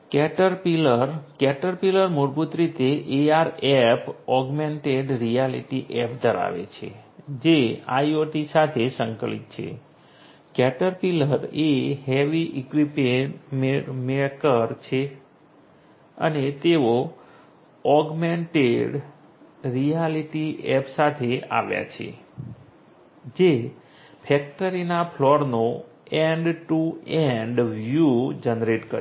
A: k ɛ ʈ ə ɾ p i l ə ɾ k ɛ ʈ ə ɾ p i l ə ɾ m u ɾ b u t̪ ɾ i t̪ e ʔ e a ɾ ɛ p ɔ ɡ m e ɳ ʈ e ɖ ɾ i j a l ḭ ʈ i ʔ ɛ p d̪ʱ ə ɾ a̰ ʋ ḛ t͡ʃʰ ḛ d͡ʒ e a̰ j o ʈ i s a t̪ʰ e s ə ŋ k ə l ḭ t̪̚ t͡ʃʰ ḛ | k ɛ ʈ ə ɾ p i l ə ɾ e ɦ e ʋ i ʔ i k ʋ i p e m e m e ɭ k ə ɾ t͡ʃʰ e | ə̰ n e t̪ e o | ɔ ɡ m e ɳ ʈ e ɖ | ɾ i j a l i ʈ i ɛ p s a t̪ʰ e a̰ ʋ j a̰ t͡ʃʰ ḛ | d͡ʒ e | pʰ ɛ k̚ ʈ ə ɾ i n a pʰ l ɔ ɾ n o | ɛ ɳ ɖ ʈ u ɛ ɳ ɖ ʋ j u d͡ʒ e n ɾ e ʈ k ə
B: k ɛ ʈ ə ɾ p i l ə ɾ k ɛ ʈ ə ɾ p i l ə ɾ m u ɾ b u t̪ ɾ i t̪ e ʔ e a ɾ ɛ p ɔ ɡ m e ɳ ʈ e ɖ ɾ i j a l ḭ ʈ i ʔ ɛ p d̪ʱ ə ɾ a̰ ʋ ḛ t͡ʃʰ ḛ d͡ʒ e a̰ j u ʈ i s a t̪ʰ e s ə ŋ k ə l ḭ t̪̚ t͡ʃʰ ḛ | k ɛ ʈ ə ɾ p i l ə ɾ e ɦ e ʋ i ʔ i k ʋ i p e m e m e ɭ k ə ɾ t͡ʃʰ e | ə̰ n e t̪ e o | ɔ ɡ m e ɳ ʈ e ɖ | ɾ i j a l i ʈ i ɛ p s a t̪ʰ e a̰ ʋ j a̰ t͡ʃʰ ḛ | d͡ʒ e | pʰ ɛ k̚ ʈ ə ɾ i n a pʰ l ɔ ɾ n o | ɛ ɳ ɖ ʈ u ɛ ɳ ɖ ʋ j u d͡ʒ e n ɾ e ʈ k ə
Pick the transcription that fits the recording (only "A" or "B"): A